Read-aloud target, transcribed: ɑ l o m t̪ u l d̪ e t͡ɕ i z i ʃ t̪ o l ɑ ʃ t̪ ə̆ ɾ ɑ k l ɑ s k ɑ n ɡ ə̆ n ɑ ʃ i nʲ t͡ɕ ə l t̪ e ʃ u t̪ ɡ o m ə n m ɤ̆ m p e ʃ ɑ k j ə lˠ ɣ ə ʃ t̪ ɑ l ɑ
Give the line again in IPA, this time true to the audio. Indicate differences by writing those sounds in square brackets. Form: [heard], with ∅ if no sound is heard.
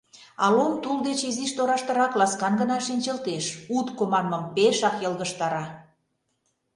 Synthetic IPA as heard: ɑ l o m t̪ u l d̪ e t͡ɕ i z i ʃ t̪ o [ɾ] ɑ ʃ t̪ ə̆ ɾ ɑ k l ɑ s k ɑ n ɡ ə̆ n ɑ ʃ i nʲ t͡ɕ ə l t̪ e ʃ u t̪ [k] o m [ɑ] n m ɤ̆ m p e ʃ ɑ k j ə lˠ ɣ ə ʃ t̪ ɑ [ɾ] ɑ